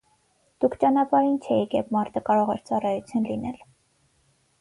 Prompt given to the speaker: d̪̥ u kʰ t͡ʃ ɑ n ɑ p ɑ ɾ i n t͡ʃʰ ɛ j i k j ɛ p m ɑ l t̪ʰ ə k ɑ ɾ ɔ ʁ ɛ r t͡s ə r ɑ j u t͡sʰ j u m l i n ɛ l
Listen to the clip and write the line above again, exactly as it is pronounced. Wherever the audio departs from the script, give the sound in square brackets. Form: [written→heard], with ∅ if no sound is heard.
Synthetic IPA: d̪̥ u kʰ t͡ʃ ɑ n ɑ p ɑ ɾ i n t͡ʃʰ ɛ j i k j ɛ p m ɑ [l→ɾ] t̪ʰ ə k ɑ ɾ ɔ ʁ ɛ [r→ɾ] t͡s [ə→ɑ] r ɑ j u t͡sʰ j u [m→n] l i n ɛ l